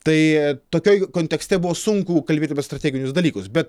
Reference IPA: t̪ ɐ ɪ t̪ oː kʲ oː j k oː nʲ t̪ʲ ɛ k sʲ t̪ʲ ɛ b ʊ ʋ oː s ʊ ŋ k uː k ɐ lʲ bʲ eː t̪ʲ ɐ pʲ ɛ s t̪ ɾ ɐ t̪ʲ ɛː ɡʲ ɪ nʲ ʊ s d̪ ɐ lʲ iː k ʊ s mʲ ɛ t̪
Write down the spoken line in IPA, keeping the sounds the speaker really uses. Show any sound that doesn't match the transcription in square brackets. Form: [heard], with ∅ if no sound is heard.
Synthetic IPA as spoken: t̪ ɐ ɪ t̪ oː kʲ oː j k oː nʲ t̪ʲ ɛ k sʲ t̪ʲ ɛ b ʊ ʋ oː s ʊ ŋ k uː k ɐ lʲ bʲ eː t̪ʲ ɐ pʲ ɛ s t̪ ɾ ɐ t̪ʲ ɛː ɡʲ ɪ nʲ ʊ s d̪ ɐ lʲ iː k ʊ s [bʲ] ɛ t̪

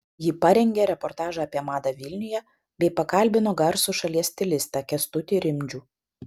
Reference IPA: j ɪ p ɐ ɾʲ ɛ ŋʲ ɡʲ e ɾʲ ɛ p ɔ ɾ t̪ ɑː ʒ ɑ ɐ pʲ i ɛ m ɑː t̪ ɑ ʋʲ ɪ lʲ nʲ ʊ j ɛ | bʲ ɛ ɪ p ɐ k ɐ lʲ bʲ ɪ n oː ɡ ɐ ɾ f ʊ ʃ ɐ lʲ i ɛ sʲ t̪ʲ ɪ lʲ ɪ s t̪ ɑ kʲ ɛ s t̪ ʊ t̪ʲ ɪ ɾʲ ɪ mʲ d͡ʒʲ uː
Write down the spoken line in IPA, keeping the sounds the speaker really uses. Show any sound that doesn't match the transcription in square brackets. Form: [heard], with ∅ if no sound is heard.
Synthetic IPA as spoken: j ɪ p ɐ ɾʲ ɛ ŋʲ ɡʲ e ɾʲ ɛ p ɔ ɾ t̪ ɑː ʒ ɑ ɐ pʲ i ɛ m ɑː [d̪] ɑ ʋʲ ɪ lʲ nʲ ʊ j ɛ | bʲ ɛ ɪ p ɐ k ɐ lʲ bʲ ɪ n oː ɡ ɐ ɾ [s] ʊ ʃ ɐ lʲ i ɛ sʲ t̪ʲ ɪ lʲ ɪ s t̪ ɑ kʲ ɛ s t̪ ʊ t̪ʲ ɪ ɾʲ ɪ mʲ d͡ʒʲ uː

